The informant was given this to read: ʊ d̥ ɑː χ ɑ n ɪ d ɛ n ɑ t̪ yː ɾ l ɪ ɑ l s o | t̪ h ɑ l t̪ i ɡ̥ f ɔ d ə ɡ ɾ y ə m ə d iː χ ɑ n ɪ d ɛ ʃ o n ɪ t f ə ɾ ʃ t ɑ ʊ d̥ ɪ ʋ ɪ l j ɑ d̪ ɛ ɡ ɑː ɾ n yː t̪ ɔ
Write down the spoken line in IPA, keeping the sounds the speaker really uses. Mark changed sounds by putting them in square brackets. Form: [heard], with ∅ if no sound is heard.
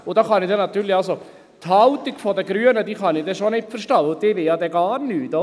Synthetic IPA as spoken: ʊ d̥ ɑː χ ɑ n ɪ d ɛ n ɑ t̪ yː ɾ l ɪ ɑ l s o | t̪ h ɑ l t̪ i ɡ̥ f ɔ d ə ɡ ɾ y ə [n] ə d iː χ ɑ n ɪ d ɛ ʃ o n ɪ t f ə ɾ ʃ t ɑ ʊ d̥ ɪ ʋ ɪ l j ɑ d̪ ɛ ɡ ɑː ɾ n yː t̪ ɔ